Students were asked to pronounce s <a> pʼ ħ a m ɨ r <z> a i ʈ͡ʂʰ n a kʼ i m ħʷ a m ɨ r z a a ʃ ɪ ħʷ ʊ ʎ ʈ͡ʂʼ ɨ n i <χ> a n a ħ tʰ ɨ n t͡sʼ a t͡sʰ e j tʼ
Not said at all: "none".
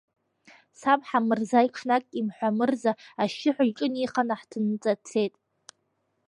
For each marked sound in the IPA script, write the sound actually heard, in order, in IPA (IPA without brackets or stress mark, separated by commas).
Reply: a, z, χ